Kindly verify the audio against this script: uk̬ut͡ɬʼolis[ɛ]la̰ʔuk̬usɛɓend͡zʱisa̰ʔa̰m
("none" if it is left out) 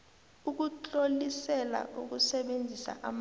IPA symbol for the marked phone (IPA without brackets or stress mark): ɛ